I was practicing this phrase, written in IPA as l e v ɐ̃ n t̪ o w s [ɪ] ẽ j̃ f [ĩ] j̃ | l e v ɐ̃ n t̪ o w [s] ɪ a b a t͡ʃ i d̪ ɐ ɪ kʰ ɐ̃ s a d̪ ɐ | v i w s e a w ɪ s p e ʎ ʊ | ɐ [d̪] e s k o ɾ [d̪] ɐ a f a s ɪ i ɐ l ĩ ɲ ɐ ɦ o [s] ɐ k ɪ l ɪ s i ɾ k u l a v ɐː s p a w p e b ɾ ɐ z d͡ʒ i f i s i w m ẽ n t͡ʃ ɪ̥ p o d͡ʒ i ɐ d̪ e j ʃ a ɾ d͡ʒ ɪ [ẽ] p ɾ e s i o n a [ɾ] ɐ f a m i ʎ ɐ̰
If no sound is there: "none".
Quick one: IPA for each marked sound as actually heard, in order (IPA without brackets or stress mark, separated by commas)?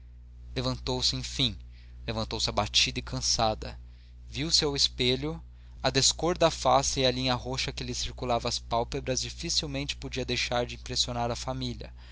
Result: ɪ, ĩ, s, d̪, d̪, ʃ, ĩ, ɾ